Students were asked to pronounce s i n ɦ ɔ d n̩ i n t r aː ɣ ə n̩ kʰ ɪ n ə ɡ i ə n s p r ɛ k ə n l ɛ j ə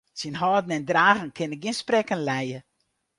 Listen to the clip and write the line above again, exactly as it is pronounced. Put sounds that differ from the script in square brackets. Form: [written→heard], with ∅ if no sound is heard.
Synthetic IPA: s i n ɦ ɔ d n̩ [i→ɛ] n [t→d] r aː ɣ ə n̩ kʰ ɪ n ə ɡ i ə n s p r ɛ k ə n l ɛ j ə